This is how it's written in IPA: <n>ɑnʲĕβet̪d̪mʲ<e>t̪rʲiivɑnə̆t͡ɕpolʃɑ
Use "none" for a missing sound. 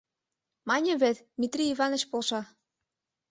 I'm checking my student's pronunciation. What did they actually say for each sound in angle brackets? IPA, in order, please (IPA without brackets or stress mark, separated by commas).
m, i